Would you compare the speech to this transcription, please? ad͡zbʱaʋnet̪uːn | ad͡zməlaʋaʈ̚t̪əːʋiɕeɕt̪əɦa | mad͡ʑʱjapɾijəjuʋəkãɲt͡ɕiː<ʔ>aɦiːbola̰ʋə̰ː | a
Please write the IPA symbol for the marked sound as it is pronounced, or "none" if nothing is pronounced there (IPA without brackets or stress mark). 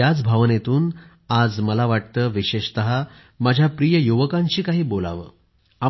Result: k